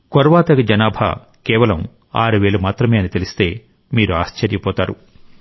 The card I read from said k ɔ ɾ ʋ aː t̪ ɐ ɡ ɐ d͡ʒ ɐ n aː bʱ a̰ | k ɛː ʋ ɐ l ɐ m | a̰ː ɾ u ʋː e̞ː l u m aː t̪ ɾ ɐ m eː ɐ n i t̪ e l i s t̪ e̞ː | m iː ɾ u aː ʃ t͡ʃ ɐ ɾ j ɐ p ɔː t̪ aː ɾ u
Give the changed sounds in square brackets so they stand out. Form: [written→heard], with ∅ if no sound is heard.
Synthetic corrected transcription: k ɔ ɾ ʋ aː t̪ ɐ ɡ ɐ d͡ʒ ɐ n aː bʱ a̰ | k ɛː ʋ ɐ l ɐ m | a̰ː ɾ u [ʋː→ʋ] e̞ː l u m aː t̪ ɾ ɐ m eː ɐ n i t̪ e l i s t̪ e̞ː | m iː ɾ u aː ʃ t͡ʃ ɐ ɾ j ɐ p ɔː t̪ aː ɾ u

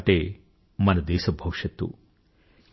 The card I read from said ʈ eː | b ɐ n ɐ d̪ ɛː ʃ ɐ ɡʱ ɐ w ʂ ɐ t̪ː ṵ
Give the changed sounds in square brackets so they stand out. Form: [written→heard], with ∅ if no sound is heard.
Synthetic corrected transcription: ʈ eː | [b→m] ɐ n ɐ d̪ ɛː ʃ ɐ [ɡʱ→bʱ] ɐ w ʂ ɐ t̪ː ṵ

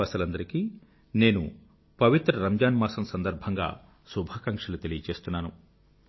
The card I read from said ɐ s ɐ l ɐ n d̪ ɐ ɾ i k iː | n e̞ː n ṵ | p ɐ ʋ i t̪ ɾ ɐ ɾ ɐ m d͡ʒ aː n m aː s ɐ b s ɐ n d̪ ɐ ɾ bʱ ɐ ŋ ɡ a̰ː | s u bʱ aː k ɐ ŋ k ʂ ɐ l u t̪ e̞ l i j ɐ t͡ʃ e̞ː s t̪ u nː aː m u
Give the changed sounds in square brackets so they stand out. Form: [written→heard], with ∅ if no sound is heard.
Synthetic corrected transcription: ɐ s ɐ l ɐ n d̪ ɐ ɾ i k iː | n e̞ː n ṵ | p ɐ ʋ i t̪ ɾ ɐ ɾ ɐ m d͡ʒ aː n m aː s ɐ [b→m] s ɐ n d̪ ɐ ɾ bʱ ɐ ŋ ɡ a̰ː | s u bʱ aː k ɐ ŋ k ʂ ɐ l u t̪ e̞ l i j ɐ t͡ʃ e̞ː s t̪ u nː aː [m→n] u

